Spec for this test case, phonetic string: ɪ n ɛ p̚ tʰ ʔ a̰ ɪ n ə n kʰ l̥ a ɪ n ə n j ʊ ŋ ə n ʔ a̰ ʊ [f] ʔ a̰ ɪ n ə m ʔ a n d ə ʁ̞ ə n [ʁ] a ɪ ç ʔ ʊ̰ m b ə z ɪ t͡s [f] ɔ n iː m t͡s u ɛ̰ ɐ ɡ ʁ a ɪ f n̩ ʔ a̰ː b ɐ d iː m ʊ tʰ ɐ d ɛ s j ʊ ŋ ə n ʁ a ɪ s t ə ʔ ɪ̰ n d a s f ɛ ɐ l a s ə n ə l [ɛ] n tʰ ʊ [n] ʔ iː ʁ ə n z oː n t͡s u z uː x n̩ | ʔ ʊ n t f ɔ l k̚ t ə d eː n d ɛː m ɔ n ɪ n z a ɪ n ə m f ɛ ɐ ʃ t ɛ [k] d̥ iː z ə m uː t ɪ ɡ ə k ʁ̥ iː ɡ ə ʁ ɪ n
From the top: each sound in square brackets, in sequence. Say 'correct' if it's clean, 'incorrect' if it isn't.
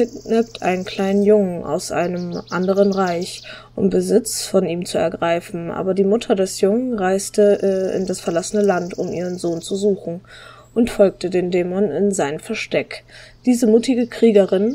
incorrect: s, correct, correct, incorrect: a, incorrect: m, correct

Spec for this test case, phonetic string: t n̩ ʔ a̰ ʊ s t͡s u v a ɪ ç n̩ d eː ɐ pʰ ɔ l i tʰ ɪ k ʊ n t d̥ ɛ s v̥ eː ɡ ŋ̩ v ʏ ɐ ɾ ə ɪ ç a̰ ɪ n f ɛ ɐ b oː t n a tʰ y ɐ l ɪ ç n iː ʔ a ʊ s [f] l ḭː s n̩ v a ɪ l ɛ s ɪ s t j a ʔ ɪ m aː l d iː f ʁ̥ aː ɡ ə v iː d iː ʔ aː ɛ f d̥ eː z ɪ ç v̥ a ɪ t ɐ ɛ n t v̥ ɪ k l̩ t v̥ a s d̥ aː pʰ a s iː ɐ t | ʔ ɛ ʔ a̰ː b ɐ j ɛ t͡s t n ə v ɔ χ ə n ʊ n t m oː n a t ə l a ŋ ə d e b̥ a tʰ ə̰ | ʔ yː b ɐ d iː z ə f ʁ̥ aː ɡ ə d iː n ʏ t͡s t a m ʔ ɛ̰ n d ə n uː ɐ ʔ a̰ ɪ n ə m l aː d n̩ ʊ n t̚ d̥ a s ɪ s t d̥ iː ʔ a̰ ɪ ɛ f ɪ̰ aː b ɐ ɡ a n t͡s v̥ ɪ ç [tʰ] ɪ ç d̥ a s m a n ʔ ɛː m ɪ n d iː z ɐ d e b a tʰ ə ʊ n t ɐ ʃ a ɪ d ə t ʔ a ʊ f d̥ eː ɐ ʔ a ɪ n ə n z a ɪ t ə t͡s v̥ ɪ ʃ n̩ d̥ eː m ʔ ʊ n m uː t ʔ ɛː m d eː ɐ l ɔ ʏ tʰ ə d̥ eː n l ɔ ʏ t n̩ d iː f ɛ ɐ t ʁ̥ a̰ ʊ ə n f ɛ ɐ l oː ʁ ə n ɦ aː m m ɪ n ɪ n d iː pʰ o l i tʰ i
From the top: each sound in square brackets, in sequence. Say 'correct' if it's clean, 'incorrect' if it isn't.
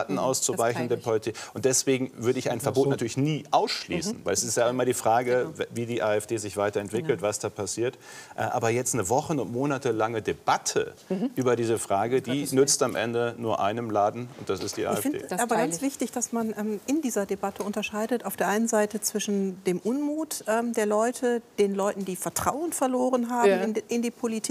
incorrect: ʃ, incorrect: t

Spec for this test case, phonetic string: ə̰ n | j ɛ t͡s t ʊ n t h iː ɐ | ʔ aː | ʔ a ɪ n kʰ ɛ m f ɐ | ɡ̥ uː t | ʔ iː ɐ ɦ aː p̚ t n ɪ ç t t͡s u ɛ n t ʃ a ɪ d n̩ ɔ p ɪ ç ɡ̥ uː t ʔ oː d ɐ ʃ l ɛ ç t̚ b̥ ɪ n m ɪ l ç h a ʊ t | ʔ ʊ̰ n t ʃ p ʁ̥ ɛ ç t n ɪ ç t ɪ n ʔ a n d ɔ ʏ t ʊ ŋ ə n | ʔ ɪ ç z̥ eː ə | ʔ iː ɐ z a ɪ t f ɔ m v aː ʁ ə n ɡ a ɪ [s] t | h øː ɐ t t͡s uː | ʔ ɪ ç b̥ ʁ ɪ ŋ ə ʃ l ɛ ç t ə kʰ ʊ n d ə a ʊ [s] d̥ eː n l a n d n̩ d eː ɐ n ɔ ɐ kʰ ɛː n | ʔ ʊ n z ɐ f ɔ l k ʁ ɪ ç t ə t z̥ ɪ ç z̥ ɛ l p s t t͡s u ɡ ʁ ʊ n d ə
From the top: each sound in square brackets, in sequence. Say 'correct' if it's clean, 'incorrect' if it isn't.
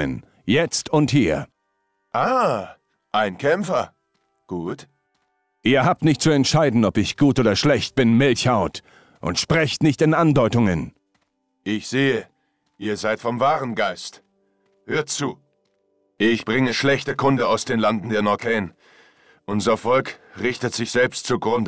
correct, correct

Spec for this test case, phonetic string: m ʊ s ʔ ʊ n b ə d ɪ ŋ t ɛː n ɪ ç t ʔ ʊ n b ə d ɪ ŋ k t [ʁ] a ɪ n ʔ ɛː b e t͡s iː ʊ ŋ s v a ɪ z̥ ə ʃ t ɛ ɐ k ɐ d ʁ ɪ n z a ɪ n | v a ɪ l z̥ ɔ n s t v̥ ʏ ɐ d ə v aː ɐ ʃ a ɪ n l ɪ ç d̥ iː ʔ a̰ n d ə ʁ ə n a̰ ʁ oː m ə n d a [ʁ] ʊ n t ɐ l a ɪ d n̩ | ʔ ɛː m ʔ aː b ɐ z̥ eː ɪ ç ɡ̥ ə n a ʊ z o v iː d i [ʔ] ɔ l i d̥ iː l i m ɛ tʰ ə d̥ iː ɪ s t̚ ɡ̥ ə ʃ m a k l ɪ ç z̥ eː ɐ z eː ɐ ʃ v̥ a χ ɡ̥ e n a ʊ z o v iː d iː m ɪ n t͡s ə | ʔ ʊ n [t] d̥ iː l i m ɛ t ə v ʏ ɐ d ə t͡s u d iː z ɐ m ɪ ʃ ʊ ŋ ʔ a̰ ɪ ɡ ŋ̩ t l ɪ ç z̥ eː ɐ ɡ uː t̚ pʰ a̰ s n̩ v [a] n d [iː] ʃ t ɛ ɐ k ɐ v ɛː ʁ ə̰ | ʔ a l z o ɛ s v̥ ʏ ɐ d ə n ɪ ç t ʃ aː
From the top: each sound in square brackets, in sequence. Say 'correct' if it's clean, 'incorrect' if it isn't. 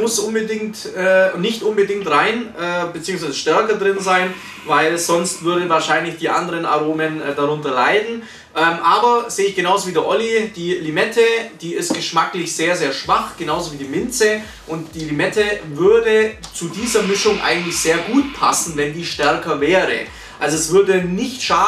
correct, correct, correct, correct, incorrect: ɛ, correct

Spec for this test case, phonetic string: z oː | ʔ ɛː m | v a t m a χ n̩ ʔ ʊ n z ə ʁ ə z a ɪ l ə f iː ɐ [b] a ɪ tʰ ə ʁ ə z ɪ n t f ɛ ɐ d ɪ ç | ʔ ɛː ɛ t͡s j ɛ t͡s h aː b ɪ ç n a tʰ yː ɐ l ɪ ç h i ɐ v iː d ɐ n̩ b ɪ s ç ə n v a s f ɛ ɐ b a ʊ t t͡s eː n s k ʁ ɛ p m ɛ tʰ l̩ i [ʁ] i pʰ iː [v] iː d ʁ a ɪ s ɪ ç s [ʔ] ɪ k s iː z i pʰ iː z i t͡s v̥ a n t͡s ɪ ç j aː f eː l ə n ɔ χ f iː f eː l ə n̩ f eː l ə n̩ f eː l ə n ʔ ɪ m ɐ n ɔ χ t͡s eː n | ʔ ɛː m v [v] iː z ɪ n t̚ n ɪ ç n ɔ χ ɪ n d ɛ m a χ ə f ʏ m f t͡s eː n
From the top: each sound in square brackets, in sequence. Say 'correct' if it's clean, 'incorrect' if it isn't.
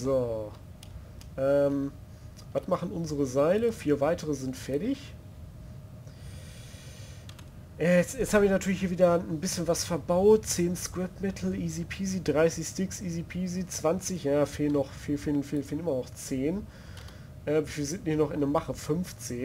incorrect: v, incorrect: z, incorrect: z, incorrect: t, incorrect: f

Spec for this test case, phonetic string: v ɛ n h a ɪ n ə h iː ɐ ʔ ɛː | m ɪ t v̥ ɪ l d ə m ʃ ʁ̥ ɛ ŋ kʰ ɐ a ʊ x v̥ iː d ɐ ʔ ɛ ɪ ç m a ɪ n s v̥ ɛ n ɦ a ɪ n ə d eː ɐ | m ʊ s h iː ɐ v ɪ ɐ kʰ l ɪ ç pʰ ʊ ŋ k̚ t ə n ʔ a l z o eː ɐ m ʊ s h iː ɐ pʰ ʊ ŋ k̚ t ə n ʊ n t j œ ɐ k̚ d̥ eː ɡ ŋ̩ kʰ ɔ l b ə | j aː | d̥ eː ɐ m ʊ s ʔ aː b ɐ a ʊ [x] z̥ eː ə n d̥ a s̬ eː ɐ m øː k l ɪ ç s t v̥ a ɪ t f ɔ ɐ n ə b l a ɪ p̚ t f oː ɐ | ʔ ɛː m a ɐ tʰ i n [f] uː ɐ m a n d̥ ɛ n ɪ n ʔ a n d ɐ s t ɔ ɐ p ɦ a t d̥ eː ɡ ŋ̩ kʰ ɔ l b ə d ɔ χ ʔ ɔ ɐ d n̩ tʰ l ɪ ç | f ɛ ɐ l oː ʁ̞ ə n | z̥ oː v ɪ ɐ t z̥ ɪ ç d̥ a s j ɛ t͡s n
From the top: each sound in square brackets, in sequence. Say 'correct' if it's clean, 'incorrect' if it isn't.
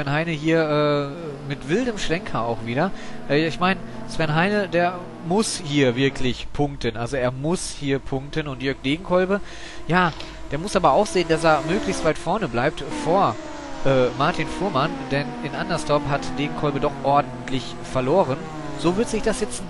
correct, correct

